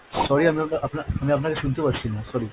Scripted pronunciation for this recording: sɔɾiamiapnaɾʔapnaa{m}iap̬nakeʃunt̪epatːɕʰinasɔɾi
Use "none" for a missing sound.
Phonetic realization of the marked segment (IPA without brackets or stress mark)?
m